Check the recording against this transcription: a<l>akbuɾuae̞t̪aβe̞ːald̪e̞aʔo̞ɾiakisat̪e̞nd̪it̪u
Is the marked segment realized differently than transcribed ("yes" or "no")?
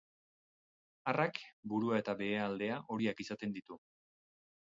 yes